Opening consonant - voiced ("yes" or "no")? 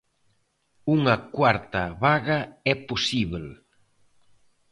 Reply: yes